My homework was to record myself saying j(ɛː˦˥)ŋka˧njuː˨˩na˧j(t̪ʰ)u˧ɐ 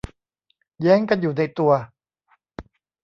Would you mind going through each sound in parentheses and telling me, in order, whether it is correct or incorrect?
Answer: correct, incorrect

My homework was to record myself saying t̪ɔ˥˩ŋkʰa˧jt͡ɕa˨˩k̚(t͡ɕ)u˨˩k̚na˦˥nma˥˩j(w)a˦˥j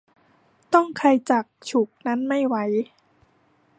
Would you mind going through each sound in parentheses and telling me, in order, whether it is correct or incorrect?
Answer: incorrect, correct

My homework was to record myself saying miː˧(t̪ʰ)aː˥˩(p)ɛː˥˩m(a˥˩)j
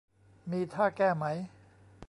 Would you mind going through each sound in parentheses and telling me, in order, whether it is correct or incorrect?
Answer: correct, incorrect, incorrect

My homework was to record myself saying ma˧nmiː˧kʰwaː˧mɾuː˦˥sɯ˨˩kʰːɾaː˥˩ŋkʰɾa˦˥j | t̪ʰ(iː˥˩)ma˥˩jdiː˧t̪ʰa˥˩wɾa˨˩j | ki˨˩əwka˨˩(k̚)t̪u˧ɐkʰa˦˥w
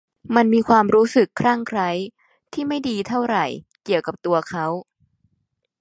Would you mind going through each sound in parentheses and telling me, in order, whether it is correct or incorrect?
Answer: correct, incorrect

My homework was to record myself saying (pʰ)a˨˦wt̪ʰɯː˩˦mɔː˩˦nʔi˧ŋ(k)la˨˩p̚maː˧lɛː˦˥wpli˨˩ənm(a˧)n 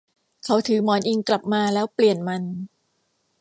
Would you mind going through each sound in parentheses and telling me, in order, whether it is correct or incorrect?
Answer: incorrect, correct, correct

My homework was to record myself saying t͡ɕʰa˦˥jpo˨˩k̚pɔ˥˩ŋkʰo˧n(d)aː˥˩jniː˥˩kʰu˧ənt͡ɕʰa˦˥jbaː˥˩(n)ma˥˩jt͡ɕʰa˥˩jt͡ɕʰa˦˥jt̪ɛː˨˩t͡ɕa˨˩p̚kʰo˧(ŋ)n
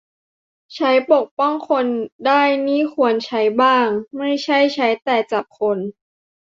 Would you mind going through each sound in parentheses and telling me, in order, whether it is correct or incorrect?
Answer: correct, incorrect, incorrect

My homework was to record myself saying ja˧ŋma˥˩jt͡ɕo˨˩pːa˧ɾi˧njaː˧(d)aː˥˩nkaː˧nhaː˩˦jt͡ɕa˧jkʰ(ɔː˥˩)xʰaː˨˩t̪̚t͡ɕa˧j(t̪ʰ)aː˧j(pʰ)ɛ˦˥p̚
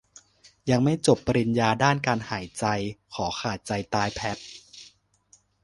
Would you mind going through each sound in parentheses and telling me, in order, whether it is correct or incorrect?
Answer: correct, incorrect, incorrect, correct

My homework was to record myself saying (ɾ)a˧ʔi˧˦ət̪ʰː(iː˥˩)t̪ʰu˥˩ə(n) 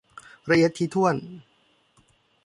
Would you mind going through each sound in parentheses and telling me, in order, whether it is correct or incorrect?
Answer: correct, incorrect, correct

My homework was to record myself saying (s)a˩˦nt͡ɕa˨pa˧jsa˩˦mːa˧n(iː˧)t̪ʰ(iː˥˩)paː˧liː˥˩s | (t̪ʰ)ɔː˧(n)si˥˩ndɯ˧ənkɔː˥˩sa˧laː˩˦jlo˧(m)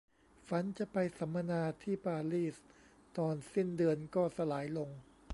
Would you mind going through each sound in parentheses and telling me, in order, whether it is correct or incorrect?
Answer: incorrect, incorrect, correct, incorrect, correct, incorrect

